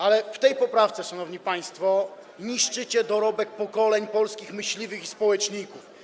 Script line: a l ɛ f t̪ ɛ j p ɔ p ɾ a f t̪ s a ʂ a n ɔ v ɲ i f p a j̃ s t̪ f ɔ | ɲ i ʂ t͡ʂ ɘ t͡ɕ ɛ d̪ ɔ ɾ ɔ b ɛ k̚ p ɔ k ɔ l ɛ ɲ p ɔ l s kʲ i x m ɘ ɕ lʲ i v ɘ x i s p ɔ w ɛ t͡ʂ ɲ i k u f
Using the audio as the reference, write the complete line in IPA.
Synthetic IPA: a l ɛ f t̪ ɛ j p ɔ p ɾ a f t̪ s ɛ ʂ a n ɔ v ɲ i p a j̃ s t̪ f ɔ | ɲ i ʂ t͡ʂ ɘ t͡ɕ ɛ d̪ ɔ ɾ ɔ b ɛ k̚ p ɔ k ɔ l ɛ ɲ p ɔ l s kʲ i x m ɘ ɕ lʲ i v ɘ x i s p ɔ w ɛ t͡ʂ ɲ i k u f